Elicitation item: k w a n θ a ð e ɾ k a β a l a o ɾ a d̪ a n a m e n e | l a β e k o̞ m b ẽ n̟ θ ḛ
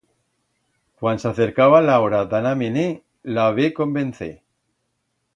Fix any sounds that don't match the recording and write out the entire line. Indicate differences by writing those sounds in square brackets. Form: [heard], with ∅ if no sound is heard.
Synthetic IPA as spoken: k w a n [s] a [θ] e ɾ k a β a l a o ɾ a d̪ a n a m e n e | l a β e k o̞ m b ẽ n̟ θ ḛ